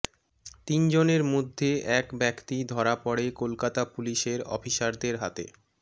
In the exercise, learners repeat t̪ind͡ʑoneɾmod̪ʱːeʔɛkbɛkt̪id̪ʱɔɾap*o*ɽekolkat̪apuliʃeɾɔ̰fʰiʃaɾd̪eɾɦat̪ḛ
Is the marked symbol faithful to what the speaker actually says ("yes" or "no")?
no